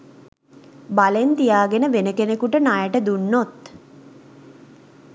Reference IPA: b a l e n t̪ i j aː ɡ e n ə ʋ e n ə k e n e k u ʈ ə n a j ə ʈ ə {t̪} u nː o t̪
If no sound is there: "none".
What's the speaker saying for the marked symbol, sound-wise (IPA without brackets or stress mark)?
d̪